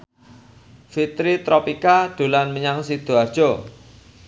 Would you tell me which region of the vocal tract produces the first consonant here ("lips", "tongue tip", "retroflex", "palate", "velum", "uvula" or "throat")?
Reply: lips